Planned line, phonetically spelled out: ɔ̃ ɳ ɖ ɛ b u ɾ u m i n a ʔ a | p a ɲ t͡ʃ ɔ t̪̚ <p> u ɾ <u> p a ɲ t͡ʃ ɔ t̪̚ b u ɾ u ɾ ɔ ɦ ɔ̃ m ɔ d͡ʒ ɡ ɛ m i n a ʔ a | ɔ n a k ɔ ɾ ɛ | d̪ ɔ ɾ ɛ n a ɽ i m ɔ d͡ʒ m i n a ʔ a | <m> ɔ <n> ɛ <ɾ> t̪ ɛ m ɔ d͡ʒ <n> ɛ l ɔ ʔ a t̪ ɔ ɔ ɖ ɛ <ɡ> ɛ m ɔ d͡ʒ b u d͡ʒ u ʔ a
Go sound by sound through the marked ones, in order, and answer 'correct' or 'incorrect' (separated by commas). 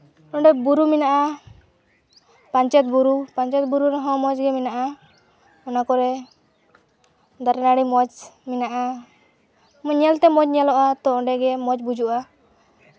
incorrect, correct, correct, incorrect, incorrect, incorrect, correct